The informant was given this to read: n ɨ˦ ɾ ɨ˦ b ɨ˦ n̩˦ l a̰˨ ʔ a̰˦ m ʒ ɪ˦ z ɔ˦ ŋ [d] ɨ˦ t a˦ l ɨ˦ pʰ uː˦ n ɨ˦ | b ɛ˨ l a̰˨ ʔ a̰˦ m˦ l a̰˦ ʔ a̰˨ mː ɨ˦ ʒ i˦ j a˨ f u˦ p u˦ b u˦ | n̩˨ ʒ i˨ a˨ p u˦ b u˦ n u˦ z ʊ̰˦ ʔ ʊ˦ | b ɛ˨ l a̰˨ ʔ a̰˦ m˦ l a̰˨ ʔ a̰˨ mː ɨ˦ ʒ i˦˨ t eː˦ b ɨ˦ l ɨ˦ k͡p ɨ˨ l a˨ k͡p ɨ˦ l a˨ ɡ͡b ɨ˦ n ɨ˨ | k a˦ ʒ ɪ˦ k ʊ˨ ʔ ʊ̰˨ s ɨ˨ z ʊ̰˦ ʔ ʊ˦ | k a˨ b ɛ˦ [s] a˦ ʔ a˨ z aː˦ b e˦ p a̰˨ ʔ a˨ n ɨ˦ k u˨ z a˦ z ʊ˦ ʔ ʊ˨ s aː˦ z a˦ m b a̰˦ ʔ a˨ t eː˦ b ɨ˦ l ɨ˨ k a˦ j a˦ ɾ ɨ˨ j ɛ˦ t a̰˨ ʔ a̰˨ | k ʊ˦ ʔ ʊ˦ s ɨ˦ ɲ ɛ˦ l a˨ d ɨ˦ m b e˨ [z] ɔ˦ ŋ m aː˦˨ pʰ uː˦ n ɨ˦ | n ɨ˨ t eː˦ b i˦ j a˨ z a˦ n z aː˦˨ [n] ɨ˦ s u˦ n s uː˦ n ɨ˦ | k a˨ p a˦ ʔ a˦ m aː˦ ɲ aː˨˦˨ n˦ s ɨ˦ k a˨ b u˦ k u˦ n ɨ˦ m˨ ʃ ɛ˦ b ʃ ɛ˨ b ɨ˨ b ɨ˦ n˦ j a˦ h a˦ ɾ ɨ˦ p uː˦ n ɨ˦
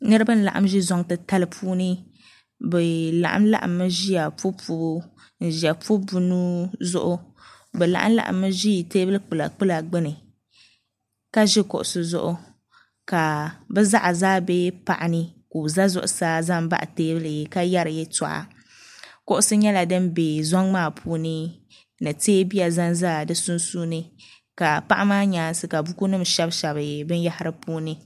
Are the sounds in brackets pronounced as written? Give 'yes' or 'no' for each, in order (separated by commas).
no, no, yes, no